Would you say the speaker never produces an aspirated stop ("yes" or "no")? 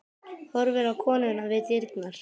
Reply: no